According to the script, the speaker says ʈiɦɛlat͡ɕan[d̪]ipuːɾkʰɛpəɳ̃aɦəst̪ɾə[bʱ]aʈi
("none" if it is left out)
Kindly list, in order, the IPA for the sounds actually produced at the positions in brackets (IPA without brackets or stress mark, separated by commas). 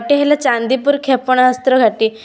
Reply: d̪, ɡʱ